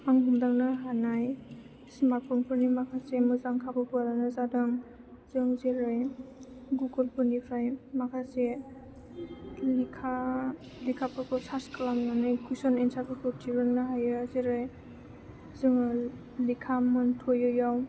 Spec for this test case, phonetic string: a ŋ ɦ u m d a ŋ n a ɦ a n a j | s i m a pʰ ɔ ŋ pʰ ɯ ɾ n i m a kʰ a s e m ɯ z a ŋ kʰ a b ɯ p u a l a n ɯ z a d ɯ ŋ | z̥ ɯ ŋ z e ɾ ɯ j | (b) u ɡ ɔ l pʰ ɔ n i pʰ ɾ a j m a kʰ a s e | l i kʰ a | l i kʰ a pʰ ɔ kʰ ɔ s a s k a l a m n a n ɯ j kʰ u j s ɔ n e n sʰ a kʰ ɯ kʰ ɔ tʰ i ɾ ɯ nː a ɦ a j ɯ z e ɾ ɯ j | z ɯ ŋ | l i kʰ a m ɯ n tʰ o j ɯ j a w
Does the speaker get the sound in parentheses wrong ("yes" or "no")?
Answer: yes